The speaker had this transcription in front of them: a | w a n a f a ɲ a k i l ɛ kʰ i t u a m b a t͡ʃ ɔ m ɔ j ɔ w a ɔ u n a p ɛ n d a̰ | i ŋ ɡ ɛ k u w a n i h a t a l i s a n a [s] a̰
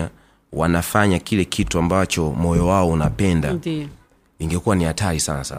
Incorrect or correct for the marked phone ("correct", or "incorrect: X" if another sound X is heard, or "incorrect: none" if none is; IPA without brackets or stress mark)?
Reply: correct